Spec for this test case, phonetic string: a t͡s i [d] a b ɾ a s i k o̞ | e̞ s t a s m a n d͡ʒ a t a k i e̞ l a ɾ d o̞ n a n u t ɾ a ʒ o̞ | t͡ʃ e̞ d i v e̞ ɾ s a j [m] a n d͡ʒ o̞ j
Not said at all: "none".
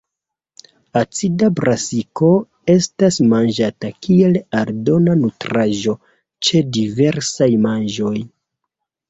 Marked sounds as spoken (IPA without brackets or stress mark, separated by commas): d, m